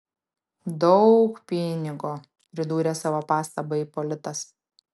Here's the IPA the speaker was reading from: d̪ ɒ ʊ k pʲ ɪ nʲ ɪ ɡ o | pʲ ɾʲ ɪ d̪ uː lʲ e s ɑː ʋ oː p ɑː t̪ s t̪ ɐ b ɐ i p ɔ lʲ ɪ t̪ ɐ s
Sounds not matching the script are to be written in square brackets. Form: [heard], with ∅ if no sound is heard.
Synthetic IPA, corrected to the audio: d̪ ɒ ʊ k pʲ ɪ nʲ ɪ ɡ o | pʲ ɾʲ ɪ d̪ uː [ɾʲ] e s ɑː ʋ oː p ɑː [∅] s t̪ ɐ b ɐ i p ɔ lʲ ɪ t̪ ɐ s